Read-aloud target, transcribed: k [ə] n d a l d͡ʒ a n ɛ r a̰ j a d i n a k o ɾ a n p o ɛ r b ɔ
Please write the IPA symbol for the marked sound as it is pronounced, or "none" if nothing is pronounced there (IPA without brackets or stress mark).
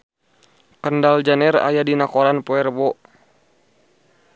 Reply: ə